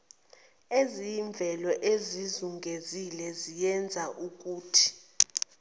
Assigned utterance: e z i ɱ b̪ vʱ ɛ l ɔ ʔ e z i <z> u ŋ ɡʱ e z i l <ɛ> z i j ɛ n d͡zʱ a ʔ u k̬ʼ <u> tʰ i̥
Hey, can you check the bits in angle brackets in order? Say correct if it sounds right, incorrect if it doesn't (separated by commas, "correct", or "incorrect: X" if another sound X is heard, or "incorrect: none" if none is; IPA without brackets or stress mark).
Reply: correct, correct, incorrect: uː